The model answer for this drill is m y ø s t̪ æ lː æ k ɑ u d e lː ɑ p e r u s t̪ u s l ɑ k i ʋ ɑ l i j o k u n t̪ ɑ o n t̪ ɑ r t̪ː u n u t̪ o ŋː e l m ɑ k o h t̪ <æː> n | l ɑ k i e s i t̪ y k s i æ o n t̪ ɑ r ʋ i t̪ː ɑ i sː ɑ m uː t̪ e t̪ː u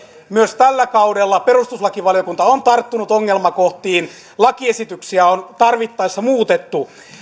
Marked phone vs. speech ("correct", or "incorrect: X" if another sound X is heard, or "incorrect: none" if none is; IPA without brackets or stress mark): incorrect: iː